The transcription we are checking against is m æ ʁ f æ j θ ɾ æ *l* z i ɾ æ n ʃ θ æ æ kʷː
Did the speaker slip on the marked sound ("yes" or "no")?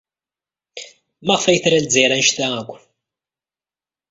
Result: no